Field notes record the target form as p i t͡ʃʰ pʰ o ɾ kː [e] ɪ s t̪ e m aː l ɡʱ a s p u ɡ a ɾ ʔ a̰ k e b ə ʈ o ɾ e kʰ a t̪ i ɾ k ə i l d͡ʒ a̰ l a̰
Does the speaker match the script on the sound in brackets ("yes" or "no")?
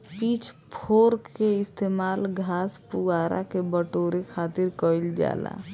yes